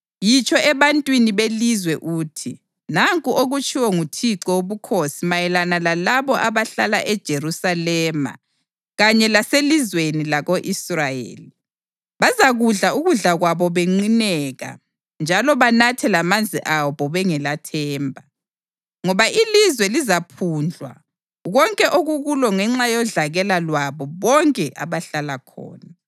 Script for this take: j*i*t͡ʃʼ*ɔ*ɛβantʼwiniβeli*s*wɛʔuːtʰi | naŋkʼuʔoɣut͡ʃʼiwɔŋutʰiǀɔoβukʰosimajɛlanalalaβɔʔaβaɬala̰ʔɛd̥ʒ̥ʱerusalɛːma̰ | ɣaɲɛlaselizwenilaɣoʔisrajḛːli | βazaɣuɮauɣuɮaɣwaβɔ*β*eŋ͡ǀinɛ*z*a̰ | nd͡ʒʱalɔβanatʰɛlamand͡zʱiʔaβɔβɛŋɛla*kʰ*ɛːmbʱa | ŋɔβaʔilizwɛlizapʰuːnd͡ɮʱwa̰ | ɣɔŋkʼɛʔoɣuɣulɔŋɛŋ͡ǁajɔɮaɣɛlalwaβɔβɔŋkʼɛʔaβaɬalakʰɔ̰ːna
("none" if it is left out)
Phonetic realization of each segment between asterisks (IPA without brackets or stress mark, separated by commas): i, ɔ, z, β, ɣ, tʰ